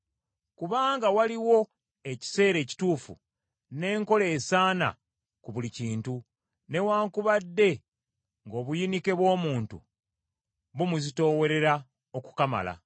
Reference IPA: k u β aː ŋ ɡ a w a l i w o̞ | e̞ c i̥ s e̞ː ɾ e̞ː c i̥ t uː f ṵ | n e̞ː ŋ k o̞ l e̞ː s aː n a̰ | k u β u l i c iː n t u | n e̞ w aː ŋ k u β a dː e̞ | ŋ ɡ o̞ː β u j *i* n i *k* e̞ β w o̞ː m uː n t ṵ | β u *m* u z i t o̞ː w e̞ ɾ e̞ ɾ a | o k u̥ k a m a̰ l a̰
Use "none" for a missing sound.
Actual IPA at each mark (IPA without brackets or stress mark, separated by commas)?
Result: i, k, m